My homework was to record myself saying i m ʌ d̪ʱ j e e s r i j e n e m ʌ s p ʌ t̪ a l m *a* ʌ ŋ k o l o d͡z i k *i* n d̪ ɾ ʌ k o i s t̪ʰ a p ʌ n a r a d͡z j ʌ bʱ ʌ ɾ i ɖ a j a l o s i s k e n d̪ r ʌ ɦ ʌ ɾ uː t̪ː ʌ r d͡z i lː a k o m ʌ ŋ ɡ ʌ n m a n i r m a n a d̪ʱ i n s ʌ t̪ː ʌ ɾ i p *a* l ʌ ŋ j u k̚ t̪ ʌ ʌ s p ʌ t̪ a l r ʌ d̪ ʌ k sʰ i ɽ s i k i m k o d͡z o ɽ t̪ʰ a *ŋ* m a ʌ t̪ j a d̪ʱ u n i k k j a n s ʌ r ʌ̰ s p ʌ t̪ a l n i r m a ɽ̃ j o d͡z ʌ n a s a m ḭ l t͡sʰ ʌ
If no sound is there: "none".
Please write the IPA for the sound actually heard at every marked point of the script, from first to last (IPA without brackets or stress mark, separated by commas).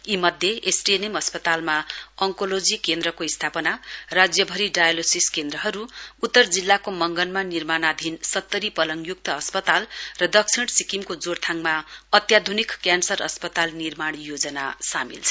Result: a, e, ʌ, ŋ